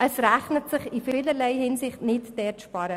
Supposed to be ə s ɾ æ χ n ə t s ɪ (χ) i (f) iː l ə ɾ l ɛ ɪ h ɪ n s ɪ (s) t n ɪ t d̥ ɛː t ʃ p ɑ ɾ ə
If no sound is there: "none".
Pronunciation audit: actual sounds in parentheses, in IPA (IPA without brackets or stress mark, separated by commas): χ, f, χ